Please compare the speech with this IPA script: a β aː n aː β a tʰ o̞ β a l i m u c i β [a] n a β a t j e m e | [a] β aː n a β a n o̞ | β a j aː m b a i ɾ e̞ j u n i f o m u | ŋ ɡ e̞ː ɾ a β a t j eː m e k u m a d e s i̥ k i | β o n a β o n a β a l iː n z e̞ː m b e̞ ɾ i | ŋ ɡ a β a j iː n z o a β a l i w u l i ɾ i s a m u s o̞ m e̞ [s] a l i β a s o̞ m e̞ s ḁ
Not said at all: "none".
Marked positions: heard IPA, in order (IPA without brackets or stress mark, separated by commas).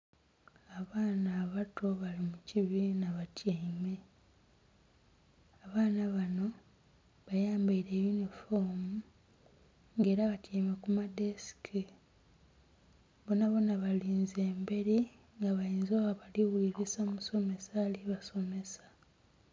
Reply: i, a, s